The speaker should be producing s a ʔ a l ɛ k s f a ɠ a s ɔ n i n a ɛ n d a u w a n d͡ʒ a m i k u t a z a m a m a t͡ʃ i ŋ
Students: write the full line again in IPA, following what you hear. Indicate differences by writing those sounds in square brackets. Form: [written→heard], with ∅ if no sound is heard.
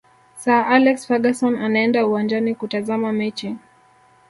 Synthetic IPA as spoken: s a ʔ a l ɛ k s f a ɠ a s ɔ n [i→a] n a ɛ n d a u w a n d͡ʒ a [m→n] i k u t a z a m a m [a→ɛ] t͡ʃ i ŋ